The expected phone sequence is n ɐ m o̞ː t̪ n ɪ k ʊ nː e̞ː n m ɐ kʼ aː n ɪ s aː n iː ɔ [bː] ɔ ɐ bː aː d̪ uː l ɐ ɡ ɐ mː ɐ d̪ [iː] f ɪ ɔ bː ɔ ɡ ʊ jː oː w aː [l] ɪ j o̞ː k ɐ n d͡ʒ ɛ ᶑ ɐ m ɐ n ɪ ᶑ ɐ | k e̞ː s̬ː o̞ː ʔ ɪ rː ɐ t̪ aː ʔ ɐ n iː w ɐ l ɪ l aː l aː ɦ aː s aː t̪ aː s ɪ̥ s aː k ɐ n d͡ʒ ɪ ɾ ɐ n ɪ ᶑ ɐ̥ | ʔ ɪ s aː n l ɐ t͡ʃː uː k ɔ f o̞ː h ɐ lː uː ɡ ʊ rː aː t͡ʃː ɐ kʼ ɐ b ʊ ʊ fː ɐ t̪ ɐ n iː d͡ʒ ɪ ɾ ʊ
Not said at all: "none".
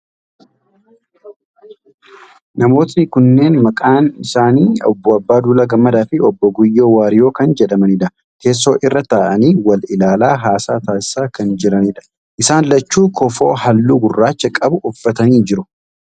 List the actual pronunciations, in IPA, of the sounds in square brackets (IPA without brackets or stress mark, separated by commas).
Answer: bː, aː, ɾ